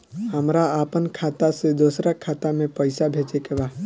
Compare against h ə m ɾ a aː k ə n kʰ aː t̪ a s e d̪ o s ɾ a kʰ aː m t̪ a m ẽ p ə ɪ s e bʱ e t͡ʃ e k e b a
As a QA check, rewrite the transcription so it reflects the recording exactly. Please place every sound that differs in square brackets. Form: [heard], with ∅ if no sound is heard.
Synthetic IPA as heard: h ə m ɾ a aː [p] ə n kʰ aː t̪ a s e d̪ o s ɾ a kʰ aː [∅] t̪ a m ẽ p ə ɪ s [a] bʱ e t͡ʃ e k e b a